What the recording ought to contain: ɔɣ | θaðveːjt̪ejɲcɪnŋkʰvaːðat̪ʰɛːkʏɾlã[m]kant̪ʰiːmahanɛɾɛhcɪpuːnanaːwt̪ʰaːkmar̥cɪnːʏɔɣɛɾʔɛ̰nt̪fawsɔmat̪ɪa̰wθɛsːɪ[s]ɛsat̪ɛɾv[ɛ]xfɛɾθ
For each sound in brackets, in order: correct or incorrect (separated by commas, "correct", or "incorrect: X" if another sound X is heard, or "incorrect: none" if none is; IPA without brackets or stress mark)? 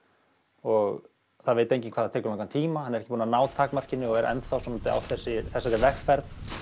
incorrect: ŋ, incorrect: θ, correct